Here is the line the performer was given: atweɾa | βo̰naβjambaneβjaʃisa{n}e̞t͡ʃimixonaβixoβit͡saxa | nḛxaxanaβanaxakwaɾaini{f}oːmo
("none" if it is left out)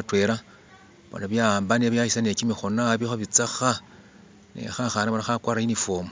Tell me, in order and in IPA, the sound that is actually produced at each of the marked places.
n, f

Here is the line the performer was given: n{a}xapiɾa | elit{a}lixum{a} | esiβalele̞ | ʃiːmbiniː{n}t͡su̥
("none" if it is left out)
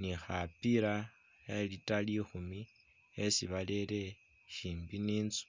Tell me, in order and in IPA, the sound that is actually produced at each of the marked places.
i, a, i, n

